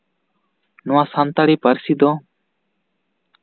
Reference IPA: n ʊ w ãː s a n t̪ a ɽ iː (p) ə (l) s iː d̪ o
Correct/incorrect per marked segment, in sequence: correct, incorrect: ɾ

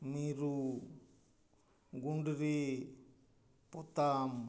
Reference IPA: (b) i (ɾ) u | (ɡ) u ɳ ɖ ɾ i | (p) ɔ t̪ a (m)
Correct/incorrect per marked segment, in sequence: incorrect: m, correct, correct, correct, correct

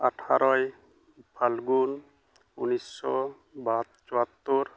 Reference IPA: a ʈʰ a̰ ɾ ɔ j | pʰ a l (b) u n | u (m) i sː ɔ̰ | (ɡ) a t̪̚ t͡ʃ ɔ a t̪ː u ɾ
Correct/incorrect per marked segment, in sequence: incorrect: ɡ, incorrect: n, incorrect: b

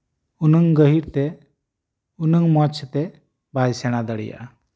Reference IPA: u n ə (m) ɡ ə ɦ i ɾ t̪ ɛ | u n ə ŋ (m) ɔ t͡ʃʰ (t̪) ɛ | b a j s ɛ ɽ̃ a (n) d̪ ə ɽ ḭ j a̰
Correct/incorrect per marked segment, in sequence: incorrect: ŋ, correct, correct, incorrect: none

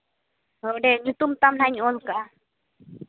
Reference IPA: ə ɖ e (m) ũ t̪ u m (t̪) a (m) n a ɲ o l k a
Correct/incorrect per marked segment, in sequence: incorrect: ɲ, correct, correct

